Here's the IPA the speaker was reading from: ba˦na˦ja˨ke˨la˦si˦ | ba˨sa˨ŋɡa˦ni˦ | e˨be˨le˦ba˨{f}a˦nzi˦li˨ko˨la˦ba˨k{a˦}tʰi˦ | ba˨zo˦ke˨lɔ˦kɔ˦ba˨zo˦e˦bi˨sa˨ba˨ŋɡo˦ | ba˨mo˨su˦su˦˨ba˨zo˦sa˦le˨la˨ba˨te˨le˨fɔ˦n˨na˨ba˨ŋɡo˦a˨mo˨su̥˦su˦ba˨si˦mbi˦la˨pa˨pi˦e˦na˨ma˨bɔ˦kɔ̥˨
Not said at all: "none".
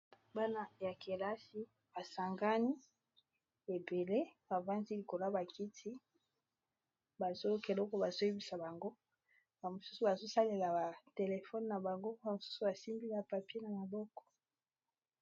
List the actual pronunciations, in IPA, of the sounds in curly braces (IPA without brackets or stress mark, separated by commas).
v, i˦